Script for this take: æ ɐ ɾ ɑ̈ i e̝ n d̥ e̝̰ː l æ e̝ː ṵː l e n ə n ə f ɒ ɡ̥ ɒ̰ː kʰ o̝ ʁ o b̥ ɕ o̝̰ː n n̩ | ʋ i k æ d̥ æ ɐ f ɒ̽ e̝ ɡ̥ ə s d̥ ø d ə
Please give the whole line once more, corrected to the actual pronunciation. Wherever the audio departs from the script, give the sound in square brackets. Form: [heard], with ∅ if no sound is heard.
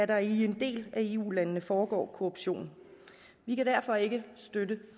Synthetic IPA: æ ɐ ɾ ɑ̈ i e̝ n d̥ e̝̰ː l æ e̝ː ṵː l [æ] n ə n ə f [ɒː] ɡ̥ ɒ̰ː kʰ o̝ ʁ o b̥ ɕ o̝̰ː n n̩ | ʋ i k æ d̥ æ ɐ f ɒ̽ e̝ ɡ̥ ə s d̥ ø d ə